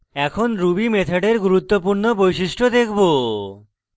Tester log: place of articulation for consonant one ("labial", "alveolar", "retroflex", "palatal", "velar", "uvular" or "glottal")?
velar